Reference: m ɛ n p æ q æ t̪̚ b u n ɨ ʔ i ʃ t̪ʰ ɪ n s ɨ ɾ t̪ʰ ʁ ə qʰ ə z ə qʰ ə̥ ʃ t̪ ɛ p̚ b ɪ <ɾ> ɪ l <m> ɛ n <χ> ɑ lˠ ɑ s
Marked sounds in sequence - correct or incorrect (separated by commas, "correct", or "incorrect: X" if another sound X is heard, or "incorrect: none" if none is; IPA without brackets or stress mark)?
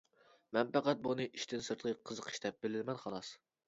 incorrect: l, correct, correct